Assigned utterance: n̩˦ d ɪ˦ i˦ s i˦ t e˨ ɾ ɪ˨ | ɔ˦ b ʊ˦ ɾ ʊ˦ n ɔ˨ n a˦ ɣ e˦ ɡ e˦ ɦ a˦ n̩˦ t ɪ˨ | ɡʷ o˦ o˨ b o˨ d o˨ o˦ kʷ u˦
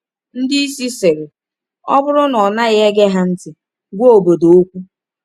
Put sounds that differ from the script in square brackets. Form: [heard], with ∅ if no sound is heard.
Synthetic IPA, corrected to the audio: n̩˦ d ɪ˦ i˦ s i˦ [s] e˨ ɾ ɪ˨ | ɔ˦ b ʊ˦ ɾ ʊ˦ n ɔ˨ n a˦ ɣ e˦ ɡ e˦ ɦ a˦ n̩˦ t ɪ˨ | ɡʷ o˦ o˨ b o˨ d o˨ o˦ kʷ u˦